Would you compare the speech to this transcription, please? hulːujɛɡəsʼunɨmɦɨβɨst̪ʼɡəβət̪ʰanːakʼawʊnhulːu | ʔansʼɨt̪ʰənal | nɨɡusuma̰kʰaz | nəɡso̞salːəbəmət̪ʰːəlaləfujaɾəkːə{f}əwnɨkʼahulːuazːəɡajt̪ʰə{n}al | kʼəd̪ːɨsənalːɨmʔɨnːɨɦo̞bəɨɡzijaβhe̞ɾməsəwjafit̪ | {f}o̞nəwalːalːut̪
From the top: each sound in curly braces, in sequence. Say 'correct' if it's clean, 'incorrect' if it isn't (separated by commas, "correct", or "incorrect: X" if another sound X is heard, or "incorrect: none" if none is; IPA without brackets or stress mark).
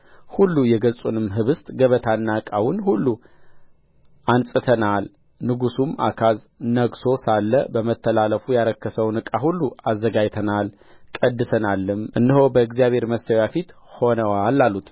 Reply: incorrect: s, correct, incorrect: h